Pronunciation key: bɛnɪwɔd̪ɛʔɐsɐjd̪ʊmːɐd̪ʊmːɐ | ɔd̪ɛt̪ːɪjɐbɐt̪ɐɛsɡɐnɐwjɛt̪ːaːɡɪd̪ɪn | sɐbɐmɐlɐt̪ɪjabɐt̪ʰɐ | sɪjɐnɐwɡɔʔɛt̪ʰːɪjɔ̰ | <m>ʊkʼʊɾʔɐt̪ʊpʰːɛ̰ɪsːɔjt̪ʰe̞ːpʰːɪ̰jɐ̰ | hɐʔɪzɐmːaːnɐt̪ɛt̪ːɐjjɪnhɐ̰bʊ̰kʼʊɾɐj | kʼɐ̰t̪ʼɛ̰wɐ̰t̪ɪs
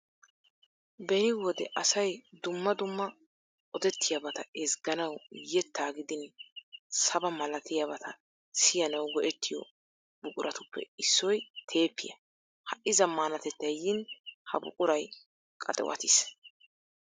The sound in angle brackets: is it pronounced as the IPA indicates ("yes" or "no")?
no